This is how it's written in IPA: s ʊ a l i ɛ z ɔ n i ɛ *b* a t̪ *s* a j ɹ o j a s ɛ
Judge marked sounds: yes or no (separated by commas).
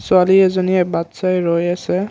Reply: yes, yes